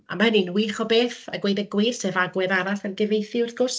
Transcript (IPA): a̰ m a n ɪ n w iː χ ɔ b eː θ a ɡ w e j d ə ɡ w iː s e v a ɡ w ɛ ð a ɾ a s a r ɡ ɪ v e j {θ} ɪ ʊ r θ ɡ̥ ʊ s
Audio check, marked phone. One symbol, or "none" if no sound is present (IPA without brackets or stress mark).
θ